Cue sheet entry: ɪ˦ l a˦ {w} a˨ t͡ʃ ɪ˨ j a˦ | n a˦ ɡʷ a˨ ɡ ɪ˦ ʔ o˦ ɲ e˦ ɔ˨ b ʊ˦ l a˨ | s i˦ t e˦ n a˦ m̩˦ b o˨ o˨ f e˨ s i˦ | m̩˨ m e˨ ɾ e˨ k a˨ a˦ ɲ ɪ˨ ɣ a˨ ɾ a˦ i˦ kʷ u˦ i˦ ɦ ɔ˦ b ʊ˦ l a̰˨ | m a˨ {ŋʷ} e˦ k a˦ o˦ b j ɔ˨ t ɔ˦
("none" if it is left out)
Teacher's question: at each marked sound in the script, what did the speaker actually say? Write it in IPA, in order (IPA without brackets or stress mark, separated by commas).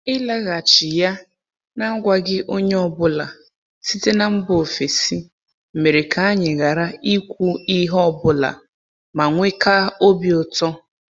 ɣ, ŋʷ